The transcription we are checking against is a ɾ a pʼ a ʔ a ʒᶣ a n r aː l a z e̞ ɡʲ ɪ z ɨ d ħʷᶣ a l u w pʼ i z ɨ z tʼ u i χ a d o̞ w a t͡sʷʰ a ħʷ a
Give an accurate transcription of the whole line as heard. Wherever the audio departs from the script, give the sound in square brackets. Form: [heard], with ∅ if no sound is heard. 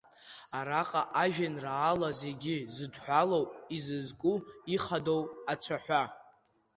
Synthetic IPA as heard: a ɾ a [qʼ] a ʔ a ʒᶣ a n r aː l a z e̞ ɡʲ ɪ z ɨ d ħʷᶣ a l [o] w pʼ i z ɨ z [kʼ] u i χ a d o̞ w a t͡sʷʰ a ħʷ a

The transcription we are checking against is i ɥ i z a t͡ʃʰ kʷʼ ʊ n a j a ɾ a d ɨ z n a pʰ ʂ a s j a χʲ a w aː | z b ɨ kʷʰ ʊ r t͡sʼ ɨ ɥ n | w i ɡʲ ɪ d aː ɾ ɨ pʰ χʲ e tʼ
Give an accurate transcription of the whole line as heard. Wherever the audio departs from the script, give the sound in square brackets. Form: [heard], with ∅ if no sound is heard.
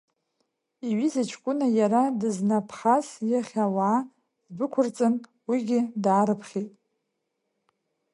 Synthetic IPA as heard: i ɥ i z a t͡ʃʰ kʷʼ ʊ n a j a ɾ a d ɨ z n a pʰ [χ] a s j a χʲ a w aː | z b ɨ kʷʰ ʊ r t͡sʼ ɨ [∅] n | w i ɡʲ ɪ d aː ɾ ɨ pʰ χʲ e tʼ

